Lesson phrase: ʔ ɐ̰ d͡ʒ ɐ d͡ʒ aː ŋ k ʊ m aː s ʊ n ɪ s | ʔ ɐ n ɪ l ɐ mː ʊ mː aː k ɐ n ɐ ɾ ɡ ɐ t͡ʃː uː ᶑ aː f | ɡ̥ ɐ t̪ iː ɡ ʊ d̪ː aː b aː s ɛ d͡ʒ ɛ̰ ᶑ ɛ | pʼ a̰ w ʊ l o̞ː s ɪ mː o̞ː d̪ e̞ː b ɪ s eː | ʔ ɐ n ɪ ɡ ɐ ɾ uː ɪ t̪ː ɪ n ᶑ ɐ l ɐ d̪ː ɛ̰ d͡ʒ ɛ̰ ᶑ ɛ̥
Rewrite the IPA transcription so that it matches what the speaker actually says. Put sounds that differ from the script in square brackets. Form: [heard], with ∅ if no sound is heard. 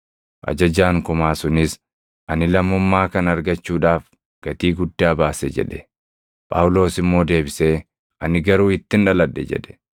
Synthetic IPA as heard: ʔ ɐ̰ d͡ʒ ɐ d͡ʒ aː ŋ k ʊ m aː s ʊ n ɪ s | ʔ ɐ n ɪ l ɐ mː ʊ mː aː k ɐ n ɐ ɾ ɡ ɐ t͡ʃː uː ᶑ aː f | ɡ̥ ɐ t̪ iː ɡ ʊ d̪ː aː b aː s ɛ d͡ʒ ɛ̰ ᶑ ɛ | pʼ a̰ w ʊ l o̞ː s ɪ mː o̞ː d̪ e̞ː b ɪ s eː | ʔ ɐ n ɪ ɡ ɐ ɾ uː ɪ t̪ː ɪ n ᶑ ɐ l ɐ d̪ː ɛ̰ d͡ʒ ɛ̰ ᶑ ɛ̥